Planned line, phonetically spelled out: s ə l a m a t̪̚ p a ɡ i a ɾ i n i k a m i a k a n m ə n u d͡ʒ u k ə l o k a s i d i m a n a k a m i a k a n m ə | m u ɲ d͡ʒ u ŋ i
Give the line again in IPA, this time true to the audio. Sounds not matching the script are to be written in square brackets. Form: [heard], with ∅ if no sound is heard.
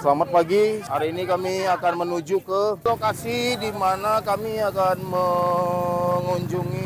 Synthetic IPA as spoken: s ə l a m a t̪̚ p a ɡ i a ɾ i n i k a m i a k a n m ə n u d͡ʒ u k ə l o k a s i d i m a n a k a m i a k a n m ə | [ŋ] u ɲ d͡ʒ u ŋ i